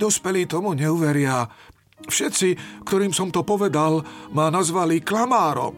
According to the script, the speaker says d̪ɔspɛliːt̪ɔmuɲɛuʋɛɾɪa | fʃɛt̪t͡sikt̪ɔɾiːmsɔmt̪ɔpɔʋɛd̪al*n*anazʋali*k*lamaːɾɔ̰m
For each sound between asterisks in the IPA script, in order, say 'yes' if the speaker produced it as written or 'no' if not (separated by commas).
no, yes